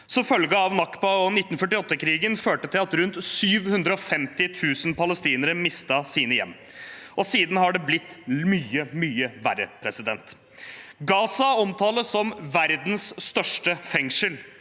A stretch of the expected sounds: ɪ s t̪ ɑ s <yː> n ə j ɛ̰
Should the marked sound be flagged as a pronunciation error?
yes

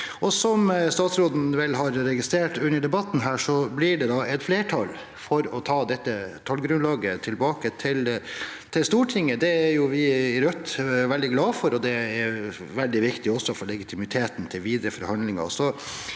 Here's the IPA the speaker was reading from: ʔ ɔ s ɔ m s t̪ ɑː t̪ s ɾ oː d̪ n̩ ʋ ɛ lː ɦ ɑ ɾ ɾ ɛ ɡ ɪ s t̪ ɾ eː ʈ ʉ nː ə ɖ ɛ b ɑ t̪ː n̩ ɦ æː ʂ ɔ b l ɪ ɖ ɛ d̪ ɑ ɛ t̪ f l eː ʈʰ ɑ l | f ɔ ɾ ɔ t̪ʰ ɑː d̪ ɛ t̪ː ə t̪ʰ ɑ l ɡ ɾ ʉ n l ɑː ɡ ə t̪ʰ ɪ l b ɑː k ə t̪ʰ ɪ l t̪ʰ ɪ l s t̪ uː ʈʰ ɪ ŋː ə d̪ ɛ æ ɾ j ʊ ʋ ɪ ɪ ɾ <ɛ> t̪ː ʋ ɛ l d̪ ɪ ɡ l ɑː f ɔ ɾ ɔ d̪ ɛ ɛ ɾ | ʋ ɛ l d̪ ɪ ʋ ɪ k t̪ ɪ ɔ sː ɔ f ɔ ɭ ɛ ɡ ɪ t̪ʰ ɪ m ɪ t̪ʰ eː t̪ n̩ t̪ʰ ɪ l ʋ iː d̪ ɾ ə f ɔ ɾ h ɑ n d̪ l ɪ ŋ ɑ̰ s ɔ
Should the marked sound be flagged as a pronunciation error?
yes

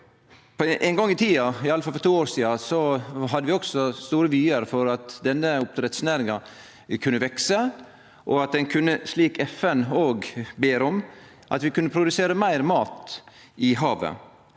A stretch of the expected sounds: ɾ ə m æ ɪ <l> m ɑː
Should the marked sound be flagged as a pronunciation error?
yes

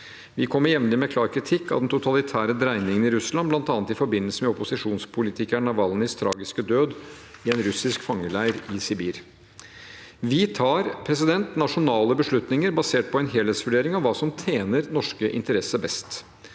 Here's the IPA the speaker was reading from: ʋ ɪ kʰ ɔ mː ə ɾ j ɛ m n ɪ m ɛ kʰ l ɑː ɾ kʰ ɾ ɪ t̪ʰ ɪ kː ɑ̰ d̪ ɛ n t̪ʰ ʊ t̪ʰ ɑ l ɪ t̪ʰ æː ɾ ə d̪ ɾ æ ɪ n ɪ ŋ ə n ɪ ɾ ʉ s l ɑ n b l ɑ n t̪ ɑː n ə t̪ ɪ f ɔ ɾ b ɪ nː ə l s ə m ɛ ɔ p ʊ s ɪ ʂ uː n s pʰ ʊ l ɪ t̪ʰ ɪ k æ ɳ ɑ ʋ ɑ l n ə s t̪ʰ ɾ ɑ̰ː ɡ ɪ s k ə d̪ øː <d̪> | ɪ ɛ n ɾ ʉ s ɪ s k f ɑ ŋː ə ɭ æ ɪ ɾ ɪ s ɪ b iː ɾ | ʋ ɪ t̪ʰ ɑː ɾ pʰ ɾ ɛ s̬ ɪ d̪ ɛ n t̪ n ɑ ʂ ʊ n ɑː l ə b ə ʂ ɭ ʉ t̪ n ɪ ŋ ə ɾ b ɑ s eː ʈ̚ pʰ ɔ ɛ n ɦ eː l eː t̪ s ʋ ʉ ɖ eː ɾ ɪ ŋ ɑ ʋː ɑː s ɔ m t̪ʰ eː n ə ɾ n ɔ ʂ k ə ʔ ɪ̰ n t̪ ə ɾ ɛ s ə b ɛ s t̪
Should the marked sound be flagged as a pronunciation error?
no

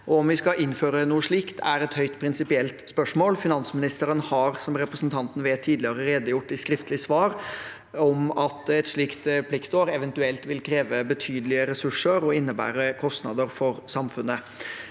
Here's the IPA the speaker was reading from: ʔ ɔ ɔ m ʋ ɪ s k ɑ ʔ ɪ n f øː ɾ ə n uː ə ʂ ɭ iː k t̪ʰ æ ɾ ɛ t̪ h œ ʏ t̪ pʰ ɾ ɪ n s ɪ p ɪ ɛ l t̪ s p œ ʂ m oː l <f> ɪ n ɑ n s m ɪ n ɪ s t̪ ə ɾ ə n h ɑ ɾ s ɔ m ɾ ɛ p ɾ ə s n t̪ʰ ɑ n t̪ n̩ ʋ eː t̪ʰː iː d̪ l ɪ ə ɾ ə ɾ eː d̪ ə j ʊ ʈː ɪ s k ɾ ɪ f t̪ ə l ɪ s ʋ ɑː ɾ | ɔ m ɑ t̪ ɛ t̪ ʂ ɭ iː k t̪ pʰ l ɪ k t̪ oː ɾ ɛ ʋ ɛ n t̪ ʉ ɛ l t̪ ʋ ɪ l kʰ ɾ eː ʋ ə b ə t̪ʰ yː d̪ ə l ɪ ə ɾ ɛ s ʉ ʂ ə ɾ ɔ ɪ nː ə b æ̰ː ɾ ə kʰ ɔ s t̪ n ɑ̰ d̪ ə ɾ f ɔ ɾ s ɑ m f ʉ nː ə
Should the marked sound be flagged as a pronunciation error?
no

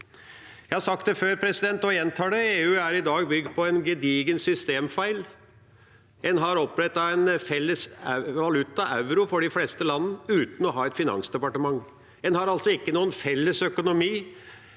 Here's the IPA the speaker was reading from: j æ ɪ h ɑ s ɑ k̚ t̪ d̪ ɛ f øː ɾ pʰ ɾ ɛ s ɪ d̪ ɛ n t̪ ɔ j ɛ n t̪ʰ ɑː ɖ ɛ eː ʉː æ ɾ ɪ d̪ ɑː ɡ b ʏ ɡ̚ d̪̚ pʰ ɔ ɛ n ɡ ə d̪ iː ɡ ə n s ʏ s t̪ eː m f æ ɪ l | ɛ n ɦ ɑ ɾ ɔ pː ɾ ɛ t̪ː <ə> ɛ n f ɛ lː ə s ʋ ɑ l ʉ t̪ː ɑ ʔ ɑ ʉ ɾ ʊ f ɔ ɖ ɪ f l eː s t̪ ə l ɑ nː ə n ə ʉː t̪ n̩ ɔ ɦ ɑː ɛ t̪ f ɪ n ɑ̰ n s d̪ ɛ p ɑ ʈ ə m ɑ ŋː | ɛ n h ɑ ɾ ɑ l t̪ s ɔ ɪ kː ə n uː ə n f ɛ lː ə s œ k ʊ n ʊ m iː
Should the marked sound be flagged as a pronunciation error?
yes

